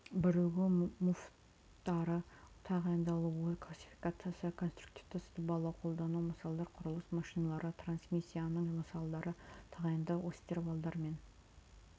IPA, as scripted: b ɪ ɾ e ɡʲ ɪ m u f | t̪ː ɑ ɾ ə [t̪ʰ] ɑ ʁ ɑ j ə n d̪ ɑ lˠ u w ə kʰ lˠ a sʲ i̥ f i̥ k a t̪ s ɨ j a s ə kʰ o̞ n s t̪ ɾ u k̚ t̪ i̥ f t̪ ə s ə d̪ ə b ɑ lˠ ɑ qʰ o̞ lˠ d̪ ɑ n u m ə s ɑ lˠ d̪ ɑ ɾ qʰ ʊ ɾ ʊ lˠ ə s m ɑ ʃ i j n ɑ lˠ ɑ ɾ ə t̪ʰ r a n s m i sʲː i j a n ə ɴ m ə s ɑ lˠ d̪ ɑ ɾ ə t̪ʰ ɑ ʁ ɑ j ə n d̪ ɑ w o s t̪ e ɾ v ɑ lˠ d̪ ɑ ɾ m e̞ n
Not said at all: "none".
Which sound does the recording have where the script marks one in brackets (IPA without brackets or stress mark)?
t̪ʰ